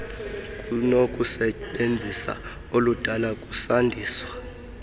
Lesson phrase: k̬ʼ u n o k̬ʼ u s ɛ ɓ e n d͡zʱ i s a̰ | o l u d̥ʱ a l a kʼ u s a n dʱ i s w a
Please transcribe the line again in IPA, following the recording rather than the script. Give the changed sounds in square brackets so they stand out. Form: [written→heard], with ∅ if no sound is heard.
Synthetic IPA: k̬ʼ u n o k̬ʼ u s ɛ ɓ e n d͡zʱ i s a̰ | o l u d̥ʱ a l a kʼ u s a n dʱ [i→iː] s w a